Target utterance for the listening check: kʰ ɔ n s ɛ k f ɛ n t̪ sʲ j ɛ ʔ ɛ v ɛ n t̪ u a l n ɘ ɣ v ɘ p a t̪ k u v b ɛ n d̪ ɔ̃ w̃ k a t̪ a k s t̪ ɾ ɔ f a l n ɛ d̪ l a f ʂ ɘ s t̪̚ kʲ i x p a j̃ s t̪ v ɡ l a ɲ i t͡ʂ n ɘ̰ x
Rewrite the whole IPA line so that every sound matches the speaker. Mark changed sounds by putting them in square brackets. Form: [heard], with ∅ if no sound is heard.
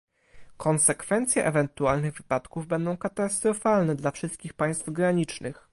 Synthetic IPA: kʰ ɔ n s ɛ k f ɛ n t̪ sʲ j ɛ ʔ ɛ v ɛ n t̪ u a l n ɘ ɣ v ɘ p a t̪ k u v b ɛ n d̪ ɔ̃ w̃ k a t̪ a [∅] s t̪ ɾ ɔ f a l n ɛ d̪ l a f ʂ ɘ s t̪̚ kʲ i x p a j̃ s t̪ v ɡ [ɾ] a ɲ i t͡ʂ n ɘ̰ x